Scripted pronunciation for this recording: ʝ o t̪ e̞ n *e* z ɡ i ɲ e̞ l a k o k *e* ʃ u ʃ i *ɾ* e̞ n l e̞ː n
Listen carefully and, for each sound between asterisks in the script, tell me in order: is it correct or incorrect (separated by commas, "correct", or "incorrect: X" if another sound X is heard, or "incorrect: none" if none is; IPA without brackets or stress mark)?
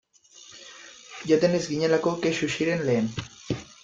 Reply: correct, correct, correct